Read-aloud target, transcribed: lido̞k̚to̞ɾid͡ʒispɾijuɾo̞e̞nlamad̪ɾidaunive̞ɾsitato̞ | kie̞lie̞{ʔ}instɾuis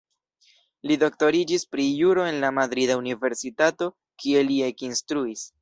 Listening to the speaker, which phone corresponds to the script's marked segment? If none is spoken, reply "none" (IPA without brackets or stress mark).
k